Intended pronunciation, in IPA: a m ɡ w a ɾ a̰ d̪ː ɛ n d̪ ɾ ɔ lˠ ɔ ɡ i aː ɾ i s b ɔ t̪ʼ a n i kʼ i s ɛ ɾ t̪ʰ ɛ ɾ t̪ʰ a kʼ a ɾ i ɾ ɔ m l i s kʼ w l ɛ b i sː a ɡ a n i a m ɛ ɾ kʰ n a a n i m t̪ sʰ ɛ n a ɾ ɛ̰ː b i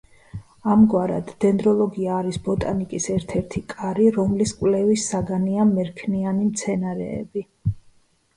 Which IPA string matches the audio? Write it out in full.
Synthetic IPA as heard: a m ɡ w a ɾ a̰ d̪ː ɛ n d̪ ɾ ɔ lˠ ɔ ɡ i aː ɾ i s b ɔ t̪ʼ a n i kʼ i s ɛ ɾ t̪ʰ ɛ ɾ t̪ʰ i kʼ a ɾ i ɾ ɔ m l i s kʼ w l ɛ v i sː a ɡ a n i a m ɛ ɾ kʰ n i a n i m t̪ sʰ ɛ n a ɾ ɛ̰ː b i